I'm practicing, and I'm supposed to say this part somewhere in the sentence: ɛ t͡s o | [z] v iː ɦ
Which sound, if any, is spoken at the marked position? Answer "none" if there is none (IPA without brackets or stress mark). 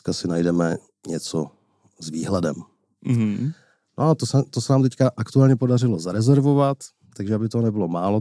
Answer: z